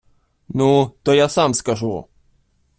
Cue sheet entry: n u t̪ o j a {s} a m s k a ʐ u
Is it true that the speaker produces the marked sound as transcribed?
yes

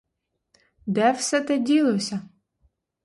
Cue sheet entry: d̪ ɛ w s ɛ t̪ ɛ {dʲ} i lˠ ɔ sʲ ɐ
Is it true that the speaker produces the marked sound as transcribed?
yes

